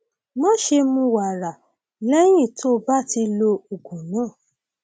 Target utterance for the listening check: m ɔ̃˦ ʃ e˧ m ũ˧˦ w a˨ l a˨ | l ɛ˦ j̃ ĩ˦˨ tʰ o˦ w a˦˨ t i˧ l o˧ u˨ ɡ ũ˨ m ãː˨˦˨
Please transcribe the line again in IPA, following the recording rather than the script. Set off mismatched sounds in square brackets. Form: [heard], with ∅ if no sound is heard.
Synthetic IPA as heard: m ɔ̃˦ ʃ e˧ m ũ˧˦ w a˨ [ɾ] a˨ | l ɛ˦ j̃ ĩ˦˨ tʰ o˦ [b] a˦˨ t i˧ l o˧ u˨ ɡ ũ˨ [n] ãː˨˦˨